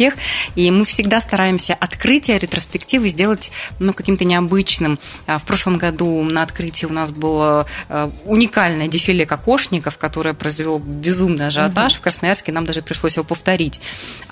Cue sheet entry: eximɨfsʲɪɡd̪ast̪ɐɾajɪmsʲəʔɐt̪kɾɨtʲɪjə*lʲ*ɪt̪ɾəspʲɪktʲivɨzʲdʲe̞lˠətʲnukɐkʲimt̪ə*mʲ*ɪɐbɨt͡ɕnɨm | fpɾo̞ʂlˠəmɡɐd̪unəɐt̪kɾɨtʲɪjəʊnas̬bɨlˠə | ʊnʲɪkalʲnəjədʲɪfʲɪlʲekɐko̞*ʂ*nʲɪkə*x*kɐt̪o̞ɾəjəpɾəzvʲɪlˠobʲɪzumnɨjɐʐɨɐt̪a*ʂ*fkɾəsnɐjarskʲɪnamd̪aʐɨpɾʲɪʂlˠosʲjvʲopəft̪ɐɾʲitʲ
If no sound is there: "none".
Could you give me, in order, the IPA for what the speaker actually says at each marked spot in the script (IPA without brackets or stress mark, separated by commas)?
ɾʲ, nʲ, ʂ, f, ʂ